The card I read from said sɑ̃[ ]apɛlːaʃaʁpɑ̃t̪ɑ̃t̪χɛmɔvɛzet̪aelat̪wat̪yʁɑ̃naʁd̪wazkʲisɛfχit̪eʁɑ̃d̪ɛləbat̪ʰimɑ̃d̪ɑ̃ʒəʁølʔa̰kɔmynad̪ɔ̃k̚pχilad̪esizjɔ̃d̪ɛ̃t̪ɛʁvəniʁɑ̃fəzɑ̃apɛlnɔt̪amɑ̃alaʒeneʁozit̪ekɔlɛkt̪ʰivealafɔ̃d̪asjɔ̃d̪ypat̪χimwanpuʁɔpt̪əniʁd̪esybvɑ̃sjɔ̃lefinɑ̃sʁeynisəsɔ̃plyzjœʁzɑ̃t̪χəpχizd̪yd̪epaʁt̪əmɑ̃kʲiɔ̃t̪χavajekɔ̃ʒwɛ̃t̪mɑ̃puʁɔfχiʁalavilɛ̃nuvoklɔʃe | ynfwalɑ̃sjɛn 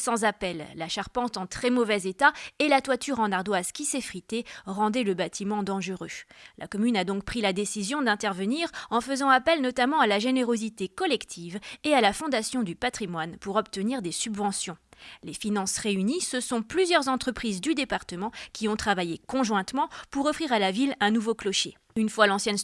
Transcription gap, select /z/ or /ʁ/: z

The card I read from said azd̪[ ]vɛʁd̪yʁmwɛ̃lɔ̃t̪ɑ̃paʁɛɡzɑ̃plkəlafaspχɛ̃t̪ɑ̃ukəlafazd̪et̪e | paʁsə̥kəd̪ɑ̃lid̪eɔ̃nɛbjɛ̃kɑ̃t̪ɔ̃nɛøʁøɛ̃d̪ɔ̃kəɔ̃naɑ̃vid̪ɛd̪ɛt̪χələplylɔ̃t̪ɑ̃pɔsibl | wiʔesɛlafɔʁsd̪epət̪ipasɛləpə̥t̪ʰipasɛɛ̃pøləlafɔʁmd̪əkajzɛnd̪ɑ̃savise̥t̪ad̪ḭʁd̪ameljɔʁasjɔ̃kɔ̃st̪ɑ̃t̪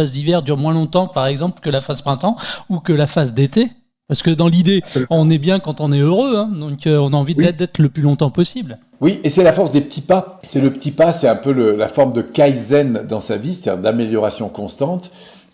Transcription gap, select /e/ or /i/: i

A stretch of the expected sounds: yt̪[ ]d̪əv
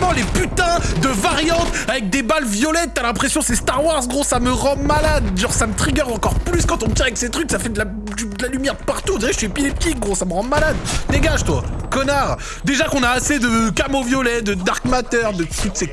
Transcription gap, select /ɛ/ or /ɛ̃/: ɛ̃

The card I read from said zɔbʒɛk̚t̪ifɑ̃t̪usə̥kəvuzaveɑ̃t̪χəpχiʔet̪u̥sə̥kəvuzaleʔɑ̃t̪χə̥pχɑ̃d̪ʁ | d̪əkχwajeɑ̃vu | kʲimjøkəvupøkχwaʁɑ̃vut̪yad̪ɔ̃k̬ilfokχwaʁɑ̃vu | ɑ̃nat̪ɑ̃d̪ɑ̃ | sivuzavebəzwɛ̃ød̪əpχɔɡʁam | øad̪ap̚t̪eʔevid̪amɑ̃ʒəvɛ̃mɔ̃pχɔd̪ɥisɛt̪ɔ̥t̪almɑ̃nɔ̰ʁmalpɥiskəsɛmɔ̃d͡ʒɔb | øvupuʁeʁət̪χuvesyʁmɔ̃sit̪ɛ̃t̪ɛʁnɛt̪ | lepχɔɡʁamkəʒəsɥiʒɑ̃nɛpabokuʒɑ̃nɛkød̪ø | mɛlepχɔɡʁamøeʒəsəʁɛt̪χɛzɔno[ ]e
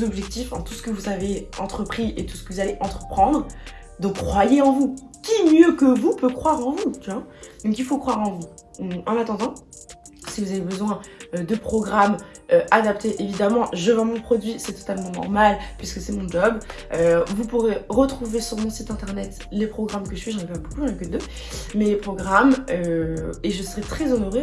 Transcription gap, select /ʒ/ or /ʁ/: ʁ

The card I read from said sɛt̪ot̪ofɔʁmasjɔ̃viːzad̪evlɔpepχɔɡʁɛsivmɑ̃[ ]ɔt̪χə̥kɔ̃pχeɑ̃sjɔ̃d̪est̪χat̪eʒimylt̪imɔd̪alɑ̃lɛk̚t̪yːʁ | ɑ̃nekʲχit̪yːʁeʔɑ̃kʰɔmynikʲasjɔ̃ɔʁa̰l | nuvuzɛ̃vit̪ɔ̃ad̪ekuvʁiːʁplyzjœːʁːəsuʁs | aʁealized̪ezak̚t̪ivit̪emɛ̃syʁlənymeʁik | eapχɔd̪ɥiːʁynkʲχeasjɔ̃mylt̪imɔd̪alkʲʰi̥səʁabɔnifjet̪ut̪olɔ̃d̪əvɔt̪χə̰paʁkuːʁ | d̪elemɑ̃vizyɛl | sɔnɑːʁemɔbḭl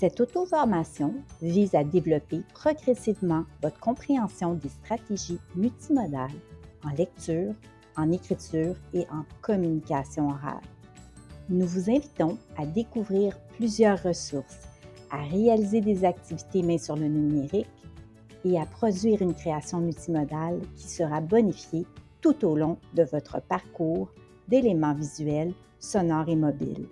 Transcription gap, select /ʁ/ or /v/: v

